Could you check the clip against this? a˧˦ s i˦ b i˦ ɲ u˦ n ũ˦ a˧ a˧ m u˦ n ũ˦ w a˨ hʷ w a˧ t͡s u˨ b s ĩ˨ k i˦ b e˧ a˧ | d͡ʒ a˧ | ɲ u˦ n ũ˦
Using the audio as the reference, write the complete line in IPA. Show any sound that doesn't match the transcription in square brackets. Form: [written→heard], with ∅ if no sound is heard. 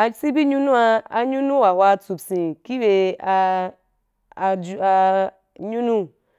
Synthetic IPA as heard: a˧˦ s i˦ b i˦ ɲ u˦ n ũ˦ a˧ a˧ [m→ɲ] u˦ n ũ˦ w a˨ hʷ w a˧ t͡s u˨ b s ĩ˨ k i˦ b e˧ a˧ | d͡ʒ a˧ | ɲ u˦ n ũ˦